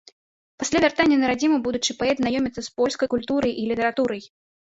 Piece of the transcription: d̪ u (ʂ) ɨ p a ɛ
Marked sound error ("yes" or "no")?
yes